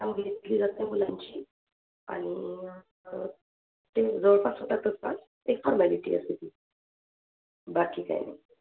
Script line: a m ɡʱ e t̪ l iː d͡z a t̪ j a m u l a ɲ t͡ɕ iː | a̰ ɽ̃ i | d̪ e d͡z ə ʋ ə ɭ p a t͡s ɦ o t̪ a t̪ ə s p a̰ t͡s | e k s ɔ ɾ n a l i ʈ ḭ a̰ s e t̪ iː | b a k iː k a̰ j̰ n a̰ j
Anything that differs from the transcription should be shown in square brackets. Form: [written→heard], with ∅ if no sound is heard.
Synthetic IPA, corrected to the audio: a m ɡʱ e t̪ l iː d͡z a t̪ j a m u l a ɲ t͡ɕ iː | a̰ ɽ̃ i | [d̪→t̪] e d͡z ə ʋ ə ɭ p a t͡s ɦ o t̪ a t̪ ə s p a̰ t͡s | e k [s→f] ɔ ɾ [n→m] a l i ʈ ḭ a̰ s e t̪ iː | b a k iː k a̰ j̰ n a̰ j